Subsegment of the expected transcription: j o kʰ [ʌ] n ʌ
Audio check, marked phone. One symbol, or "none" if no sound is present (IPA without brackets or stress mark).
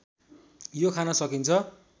a